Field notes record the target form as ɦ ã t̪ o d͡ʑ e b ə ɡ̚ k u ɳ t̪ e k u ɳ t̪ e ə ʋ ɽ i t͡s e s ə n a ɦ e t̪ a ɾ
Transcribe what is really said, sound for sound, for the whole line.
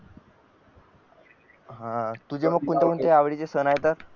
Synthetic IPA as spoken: ɦ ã t̪ u d͡ʑ e m ə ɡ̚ k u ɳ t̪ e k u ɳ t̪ e a ʋ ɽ i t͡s e s ə n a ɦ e t̪ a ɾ